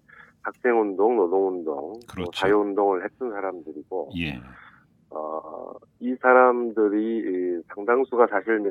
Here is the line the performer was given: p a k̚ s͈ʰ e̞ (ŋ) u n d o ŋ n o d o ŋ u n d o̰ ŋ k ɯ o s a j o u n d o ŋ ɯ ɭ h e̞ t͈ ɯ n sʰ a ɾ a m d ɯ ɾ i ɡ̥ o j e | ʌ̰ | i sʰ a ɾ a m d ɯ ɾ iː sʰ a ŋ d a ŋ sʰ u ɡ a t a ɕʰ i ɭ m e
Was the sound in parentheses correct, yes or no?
yes